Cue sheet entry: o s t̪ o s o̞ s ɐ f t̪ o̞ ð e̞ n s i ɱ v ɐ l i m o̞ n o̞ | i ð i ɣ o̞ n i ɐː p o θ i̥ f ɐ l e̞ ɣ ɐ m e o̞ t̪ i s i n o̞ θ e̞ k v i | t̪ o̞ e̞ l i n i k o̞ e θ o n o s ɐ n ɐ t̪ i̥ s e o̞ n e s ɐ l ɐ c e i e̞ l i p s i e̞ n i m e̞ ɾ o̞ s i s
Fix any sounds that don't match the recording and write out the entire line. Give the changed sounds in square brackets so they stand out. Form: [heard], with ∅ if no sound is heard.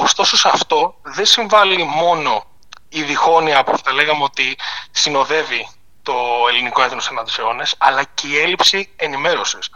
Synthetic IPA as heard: o s t̪ o s o̞ s ɐ f t̪ o̞ ð e̞ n s i ɱ v ɐ l i m o̞ n o̞ | i ð i [x] o̞ n i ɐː p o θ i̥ [θ] ɐ l e̞ ɣ ɐ m e o̞ t̪ i s i n o̞ [ð] e̞ [∅] v i | t̪ o̞ e̞ l i n i k o̞ e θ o n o s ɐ n ɐ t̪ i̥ s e o̞ n e s ɐ l ɐ c e i e̞ l i p s i e̞ n i m e̞ ɾ o̞ s i s